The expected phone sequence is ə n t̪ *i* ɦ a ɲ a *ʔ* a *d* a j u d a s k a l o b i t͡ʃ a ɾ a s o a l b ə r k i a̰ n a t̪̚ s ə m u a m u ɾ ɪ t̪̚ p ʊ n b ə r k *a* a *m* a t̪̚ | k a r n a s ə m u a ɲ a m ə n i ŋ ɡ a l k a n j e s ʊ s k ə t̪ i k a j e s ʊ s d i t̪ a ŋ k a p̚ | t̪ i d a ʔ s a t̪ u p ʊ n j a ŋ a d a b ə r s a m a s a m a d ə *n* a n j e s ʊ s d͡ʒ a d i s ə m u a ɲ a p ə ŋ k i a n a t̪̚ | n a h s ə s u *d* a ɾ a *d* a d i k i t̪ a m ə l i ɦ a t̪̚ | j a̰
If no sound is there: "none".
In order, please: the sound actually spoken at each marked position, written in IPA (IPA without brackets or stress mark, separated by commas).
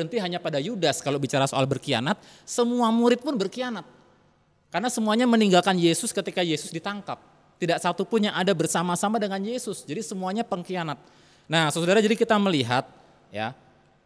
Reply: i, p, d, i, n, ŋ, d, d͡ʒ